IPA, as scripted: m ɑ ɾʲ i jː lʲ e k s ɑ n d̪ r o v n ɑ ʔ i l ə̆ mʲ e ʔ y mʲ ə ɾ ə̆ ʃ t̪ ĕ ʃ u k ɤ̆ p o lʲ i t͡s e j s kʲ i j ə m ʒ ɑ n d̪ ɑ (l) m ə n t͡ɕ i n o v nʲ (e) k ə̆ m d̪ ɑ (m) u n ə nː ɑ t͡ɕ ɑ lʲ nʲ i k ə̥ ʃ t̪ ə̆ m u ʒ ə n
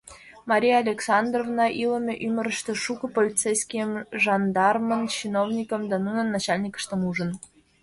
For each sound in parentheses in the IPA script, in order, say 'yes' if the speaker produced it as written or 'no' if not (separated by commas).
no, no, no